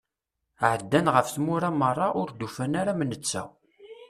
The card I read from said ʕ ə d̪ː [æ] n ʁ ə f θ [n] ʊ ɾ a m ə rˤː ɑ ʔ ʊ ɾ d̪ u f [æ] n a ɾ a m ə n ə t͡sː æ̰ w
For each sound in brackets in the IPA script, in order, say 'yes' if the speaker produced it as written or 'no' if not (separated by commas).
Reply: yes, no, yes